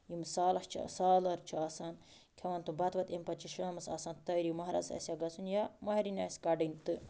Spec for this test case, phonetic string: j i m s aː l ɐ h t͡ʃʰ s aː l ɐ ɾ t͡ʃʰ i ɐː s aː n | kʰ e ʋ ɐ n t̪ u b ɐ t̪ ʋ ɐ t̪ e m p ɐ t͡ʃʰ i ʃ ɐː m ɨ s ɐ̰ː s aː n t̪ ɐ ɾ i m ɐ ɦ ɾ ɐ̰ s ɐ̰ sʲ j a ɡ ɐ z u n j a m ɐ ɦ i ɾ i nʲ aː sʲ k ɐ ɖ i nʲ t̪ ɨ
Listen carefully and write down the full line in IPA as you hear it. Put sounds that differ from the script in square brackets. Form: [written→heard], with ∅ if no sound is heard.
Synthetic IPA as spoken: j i m s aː l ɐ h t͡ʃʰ s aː l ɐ ɾ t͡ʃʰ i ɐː s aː n | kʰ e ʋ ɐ n t̪ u b ɐ t̪ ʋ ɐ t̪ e m p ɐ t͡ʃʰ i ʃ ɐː m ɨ s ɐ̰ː s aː n t̪ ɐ ɾ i m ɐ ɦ ɾ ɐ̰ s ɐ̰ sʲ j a ɡ ɐ [z→s] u n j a m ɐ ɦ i ɾ i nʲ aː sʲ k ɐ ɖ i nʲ t̪ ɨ